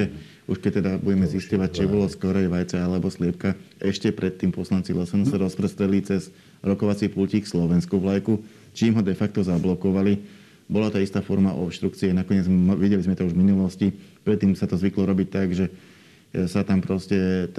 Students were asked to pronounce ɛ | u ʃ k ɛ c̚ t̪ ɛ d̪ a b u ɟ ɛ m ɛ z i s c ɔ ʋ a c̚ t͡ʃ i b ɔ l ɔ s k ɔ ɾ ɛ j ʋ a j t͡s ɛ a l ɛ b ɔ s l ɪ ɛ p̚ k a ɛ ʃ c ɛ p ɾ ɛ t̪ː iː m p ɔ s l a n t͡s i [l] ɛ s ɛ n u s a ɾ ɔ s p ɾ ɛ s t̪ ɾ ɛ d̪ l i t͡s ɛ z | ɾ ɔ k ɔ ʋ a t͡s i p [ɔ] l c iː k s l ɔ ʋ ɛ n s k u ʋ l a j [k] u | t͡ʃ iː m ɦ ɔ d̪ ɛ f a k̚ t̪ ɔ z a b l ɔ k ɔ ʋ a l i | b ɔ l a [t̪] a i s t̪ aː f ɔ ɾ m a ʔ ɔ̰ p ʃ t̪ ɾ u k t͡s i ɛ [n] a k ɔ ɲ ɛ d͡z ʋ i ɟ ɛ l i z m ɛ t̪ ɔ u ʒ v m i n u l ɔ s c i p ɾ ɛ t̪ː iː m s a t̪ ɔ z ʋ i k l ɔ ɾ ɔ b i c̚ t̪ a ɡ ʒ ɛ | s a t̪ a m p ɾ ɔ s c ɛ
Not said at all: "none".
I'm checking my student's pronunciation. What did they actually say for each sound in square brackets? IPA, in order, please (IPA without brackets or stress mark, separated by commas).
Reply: l, u, k, t̪, n